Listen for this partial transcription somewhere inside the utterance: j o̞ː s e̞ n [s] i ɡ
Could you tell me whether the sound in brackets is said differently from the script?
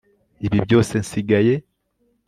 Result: no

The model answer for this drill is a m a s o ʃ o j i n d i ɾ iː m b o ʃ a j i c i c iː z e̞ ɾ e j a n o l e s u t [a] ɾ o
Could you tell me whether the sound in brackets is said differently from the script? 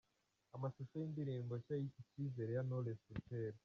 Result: yes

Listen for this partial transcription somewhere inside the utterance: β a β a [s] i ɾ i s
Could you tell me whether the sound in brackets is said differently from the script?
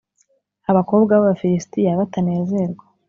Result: yes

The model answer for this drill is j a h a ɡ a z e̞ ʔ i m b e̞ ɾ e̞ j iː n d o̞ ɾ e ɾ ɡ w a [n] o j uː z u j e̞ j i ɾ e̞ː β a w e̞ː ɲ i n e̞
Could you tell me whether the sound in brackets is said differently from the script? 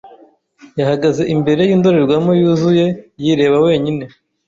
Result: yes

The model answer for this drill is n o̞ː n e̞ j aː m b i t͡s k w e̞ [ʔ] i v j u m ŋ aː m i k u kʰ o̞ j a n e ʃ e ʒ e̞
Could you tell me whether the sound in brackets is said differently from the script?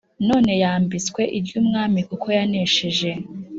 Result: no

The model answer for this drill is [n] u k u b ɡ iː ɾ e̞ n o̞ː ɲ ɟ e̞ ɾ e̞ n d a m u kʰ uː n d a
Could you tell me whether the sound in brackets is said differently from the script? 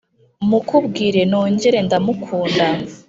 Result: yes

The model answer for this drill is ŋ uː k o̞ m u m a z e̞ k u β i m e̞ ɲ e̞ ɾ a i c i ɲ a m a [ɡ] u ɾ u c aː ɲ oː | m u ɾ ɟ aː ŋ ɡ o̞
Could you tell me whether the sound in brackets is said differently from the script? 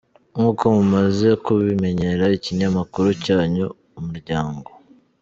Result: yes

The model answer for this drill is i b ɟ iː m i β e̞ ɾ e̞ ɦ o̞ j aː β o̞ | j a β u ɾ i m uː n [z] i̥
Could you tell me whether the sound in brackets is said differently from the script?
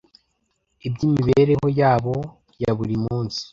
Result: yes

